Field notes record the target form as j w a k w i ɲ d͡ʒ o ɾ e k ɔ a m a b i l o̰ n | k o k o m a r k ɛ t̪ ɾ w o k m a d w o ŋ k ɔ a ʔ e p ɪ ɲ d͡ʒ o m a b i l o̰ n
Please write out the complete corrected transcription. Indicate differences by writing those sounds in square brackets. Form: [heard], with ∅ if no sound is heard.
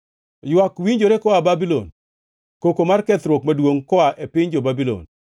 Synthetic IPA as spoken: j w a k w i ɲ d͡ʒ o ɾ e k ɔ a [b] a b i l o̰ n | k o k o m a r k ɛ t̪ ɾ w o k m a d w o ŋ k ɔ a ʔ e p ɪ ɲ d͡ʒ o [b] a b i l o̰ n